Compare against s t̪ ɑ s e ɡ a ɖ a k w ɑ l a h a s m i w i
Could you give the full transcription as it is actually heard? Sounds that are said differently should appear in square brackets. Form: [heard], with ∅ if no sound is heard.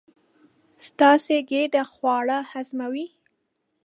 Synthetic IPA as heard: s t̪ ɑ s e ɡ [e] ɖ a [x] w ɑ [ɽ] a h a [z] m [a] w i

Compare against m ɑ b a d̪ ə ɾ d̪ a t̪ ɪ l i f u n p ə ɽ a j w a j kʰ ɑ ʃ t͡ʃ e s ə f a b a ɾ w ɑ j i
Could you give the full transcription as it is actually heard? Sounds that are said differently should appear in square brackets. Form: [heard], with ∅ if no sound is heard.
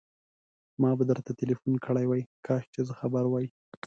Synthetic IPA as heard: m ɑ b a d̪ ə ɾ [t̪] a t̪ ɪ l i f u n [k] ə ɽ a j w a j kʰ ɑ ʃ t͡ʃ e [z] ə [x] a b a ɾ w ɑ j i

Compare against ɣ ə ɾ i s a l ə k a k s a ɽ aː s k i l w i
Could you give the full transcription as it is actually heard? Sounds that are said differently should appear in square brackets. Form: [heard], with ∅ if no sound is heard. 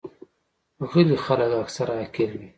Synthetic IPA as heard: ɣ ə [l] i [x] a l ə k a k s a [ɾ] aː [∅] k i l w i

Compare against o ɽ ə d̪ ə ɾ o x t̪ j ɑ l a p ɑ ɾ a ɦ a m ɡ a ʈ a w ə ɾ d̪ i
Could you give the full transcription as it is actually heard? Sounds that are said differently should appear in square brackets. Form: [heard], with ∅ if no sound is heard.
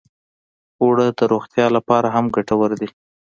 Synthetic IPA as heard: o ɽ ə d̪ ə ɾ o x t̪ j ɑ l a p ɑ ɾ a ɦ a m ɡ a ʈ a w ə ɾ d̪ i

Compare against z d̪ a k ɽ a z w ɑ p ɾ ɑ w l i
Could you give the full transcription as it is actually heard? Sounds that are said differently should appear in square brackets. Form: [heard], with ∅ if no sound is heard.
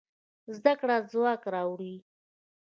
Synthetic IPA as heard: z d̪ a k ɽ a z w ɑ [k] ɾ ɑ w [ɽ] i

